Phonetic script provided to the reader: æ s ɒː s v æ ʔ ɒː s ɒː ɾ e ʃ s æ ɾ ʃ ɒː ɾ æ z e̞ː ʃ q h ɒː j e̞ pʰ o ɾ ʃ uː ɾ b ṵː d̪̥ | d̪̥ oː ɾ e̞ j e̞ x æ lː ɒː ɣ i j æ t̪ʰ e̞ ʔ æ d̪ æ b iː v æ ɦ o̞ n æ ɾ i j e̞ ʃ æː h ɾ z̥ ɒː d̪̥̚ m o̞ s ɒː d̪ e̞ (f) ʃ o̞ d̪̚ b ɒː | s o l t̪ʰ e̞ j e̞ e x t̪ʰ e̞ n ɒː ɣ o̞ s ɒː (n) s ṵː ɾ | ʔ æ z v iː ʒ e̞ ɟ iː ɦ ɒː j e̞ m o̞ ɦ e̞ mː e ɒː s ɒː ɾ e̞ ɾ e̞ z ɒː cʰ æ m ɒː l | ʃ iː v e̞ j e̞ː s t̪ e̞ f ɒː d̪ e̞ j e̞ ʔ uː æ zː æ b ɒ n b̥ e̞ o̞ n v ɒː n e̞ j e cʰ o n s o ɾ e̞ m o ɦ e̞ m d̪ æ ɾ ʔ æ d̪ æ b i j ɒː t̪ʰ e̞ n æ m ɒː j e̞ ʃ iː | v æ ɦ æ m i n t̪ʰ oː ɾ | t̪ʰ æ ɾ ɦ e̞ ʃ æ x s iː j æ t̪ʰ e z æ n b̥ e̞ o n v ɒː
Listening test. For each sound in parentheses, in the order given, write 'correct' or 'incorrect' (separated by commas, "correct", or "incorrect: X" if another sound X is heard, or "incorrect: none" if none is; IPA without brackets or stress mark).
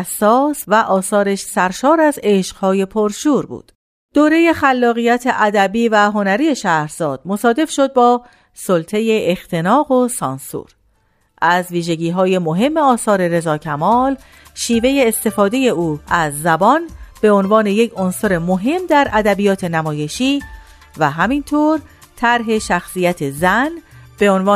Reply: correct, correct